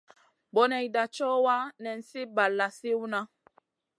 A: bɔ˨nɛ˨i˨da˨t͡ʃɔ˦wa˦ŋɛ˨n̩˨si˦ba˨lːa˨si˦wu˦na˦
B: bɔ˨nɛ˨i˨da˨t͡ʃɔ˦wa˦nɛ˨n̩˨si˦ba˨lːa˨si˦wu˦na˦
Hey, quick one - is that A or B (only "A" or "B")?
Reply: B